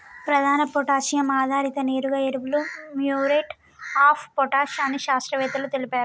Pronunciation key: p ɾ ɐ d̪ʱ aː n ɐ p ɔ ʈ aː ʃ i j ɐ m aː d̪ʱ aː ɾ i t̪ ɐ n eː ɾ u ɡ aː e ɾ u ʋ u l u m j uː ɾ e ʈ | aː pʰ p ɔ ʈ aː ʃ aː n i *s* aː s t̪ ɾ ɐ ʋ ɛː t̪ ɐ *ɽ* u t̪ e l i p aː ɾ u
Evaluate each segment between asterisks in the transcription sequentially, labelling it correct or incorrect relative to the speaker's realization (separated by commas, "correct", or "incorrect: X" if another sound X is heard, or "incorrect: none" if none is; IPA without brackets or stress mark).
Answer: incorrect: ʃ, incorrect: l